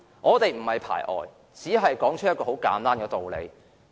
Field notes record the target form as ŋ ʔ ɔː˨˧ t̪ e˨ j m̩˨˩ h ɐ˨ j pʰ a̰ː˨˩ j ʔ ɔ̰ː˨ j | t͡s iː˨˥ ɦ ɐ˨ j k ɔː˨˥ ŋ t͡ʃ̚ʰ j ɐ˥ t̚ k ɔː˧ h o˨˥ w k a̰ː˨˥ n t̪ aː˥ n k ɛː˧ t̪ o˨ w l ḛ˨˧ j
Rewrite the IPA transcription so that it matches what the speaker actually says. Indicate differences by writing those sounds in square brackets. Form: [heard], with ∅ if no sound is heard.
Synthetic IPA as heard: ŋ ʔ ɔː˨˧ t̪ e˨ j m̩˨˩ h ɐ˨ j pʰ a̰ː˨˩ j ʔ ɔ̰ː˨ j | t͡s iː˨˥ ɦ ɐ˨ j k ɔː˨˥ ŋ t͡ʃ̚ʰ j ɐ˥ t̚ k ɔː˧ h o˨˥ w k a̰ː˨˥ n t̪ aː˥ n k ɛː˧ t̪ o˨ w l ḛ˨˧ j

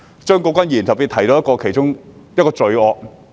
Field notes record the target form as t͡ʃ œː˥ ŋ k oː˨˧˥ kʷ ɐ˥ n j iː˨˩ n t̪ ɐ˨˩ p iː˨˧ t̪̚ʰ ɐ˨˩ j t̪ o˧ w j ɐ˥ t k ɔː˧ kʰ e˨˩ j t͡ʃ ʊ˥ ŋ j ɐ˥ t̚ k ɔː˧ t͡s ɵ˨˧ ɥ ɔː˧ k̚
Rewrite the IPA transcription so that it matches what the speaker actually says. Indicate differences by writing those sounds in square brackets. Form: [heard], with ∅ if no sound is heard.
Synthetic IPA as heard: t͡ʃ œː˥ ŋ k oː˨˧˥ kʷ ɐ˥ n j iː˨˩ n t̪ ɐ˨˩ p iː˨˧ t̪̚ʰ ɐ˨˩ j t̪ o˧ w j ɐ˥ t k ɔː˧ kʰ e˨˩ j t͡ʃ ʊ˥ ŋ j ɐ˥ t̚ k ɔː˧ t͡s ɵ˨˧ ɥ ɔː˧ k̚

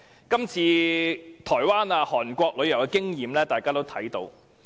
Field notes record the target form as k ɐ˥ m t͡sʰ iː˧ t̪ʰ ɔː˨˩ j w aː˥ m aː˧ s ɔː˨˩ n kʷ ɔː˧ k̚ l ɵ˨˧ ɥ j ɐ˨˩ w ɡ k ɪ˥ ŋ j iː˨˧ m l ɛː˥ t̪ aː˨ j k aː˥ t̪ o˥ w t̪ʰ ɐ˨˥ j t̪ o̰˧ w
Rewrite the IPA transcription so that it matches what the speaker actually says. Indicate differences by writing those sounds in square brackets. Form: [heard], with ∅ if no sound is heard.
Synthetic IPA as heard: k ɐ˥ m t͡sʰ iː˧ t̪ʰ ɔː˨˩ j w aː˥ [n] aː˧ [h] ɔː˨˩ n kʷ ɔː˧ k̚ l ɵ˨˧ ɥ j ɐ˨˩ w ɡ k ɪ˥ ŋ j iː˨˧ m l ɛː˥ t̪ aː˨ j k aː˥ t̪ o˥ w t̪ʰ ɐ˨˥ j t̪ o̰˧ w

